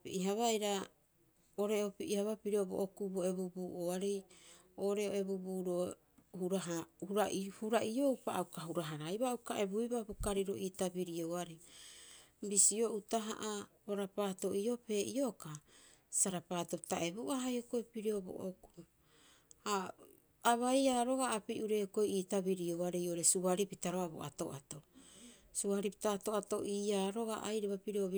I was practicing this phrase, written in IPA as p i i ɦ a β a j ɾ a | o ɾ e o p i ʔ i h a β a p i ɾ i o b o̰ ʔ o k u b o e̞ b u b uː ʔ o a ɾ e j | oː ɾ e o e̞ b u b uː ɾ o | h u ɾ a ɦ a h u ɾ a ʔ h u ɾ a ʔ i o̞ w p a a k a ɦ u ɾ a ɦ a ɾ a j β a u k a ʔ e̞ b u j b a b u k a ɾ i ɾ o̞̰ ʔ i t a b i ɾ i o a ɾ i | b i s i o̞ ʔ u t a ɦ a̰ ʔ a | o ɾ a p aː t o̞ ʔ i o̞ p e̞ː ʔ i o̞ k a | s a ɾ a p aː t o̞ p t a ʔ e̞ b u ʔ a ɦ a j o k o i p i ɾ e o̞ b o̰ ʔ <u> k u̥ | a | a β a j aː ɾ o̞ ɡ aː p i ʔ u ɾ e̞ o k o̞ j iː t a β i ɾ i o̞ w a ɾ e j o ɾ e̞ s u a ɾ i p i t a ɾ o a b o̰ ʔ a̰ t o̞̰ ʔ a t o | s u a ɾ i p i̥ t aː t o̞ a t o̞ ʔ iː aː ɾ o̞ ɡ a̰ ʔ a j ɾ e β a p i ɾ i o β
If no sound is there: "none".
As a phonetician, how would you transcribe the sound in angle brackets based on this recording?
o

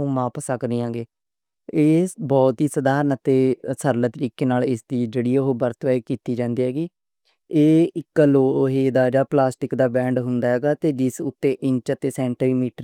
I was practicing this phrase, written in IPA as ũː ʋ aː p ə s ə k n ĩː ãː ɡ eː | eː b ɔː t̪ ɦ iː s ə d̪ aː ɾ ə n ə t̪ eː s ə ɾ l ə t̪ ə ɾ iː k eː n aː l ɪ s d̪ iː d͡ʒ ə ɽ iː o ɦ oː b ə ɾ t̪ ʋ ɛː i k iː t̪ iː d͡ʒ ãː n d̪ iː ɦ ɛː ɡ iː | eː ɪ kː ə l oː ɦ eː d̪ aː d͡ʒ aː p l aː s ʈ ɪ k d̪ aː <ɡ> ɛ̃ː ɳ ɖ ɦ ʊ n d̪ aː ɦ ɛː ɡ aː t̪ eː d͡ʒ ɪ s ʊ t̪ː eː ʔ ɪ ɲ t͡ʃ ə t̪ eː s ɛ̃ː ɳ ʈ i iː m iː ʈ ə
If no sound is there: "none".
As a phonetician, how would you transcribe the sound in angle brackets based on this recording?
b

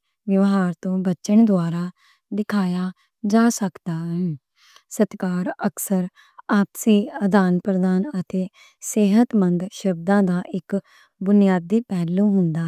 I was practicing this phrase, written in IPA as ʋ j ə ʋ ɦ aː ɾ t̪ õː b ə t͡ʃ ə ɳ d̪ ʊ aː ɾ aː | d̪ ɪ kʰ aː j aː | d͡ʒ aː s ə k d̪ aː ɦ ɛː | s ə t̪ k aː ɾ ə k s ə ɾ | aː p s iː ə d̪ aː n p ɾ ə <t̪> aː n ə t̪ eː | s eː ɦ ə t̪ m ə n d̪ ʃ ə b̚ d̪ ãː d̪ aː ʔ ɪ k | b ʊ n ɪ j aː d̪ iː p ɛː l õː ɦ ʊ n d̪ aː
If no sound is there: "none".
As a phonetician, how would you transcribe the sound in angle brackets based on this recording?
d̪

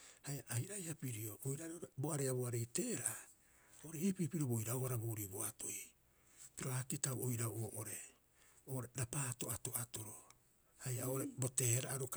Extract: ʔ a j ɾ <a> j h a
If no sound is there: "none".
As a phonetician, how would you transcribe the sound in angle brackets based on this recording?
a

